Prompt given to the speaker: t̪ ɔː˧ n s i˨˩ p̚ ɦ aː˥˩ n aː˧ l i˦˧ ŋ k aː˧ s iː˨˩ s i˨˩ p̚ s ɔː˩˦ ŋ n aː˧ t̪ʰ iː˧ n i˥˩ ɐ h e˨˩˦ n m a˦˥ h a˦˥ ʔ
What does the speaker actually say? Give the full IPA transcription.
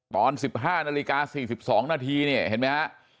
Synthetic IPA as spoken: t̪ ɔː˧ n s i˨˩ p̚ ɦ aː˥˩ n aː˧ l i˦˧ k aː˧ s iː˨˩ s i˨˩ p̚ s ɔː˩˦ ŋ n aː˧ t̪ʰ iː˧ n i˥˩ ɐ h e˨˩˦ n m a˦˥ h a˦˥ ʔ

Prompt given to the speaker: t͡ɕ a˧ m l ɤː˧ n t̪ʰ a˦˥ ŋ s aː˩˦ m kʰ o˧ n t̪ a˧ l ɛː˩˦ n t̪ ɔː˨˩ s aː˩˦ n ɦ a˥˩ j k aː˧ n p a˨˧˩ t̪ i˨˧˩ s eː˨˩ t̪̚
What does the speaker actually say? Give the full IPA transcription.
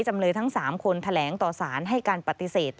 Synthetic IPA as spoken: t͡ɕ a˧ m l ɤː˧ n t̪ʰ a˦˥ ŋ s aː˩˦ m kʰ o˧ n t̪ʰ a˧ l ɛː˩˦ ŋ t̪ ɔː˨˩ s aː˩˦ n ɦ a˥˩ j k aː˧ n p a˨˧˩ t̪ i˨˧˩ s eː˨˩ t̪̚

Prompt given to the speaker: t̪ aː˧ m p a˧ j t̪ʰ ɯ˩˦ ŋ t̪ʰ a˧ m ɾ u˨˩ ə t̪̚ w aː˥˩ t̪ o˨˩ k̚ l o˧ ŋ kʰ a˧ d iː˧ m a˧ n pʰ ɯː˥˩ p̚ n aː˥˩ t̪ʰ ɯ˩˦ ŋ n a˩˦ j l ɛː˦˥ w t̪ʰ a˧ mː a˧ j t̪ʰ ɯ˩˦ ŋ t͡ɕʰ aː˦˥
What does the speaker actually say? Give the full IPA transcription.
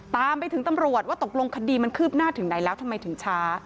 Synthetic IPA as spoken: t̪ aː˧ m p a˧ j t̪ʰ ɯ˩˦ ŋ t̪ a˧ m ɾ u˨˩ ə t̪̚ w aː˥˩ t̪ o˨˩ k̚ l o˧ ŋ kʰ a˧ d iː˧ m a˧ n kʰ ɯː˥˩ p̚ n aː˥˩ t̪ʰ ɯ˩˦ ŋ n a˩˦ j l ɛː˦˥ w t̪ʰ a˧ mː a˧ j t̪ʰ ɯ˩˦ ŋ t͡ɕʰ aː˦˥

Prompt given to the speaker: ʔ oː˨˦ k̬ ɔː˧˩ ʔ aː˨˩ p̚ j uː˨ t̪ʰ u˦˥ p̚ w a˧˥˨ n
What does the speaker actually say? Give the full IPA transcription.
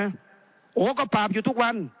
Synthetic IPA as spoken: ʔ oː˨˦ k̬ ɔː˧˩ p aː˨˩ p̚ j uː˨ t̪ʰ u˦˥ k̚ w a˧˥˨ n

